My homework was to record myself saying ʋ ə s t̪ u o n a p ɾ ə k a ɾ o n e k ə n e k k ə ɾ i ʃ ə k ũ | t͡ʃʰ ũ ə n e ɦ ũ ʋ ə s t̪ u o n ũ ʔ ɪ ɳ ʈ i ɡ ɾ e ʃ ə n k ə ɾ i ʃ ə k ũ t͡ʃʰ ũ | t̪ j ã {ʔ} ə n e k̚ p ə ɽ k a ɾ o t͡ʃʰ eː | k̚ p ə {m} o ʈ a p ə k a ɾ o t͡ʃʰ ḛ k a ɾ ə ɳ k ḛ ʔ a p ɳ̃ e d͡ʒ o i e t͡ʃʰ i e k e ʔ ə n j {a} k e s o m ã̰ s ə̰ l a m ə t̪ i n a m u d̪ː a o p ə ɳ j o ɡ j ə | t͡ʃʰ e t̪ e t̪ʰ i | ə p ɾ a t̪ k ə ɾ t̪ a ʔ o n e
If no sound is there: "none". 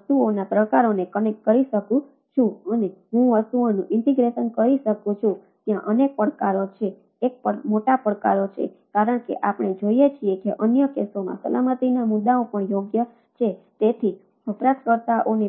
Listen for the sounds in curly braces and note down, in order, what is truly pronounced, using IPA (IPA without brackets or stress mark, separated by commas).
ʔ, m, ə